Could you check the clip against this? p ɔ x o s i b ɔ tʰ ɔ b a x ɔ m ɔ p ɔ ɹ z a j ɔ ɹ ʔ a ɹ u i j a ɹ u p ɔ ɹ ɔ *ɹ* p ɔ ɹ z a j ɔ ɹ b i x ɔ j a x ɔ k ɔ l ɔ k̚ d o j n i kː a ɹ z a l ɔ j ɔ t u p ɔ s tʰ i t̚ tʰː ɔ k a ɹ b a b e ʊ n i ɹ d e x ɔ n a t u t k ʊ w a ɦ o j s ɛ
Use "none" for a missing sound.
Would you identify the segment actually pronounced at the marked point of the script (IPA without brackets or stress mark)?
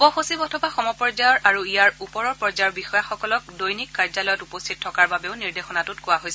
ɹ